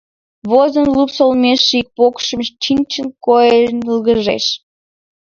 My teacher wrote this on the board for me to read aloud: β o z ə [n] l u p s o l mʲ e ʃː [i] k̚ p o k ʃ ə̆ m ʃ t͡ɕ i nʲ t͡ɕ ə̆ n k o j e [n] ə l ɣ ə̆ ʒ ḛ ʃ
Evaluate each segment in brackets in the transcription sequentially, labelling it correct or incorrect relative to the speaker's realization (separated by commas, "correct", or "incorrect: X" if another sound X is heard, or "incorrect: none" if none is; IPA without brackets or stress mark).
correct, correct, correct